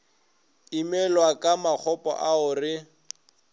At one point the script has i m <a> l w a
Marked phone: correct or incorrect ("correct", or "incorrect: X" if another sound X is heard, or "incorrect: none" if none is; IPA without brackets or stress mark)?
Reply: incorrect: ɛ